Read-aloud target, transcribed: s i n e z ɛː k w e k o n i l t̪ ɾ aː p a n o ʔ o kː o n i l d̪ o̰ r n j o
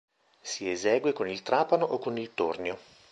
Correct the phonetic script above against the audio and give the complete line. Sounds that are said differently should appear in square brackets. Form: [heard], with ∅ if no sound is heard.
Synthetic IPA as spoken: s i [∅] e z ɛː [ɡ] w e k o n i l t̪ ɾ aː p a n o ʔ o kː o n i l [t̪] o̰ r n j o